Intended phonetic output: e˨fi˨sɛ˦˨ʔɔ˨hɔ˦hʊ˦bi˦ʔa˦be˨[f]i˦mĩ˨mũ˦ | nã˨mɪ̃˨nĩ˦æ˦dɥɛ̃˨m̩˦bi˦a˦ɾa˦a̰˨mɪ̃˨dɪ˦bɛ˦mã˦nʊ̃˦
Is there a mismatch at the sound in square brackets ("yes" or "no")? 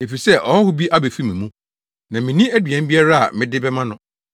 no